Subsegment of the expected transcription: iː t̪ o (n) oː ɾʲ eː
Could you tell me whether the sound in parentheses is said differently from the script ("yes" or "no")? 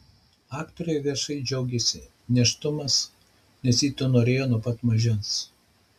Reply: no